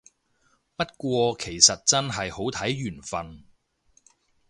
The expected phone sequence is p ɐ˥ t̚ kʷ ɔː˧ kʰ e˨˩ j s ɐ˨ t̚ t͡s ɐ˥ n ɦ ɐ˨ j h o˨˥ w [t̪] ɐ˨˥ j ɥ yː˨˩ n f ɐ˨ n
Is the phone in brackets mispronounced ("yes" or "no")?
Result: yes